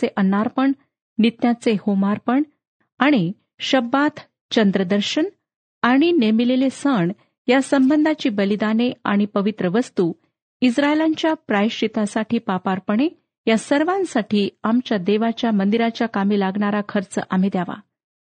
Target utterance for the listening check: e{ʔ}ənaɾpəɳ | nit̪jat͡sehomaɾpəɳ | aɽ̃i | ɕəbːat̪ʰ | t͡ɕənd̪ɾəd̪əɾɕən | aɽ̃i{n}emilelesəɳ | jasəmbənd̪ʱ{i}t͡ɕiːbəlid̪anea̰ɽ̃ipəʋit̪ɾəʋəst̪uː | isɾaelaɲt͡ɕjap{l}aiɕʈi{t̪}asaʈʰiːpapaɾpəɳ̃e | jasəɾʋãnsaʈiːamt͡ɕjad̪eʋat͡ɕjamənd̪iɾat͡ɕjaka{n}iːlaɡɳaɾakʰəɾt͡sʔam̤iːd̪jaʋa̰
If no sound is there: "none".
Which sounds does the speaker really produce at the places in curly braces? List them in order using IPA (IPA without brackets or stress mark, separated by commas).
ʔ, n, a, ɾ, t̪, m